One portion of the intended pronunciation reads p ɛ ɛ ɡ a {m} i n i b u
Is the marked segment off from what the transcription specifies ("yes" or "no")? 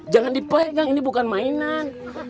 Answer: yes